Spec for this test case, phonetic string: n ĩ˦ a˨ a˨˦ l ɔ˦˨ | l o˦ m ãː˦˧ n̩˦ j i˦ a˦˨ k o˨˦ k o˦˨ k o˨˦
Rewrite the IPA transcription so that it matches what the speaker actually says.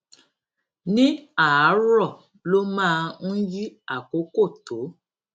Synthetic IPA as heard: n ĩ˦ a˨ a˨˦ ɾ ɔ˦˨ | l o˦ m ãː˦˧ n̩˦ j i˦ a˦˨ k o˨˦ k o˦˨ t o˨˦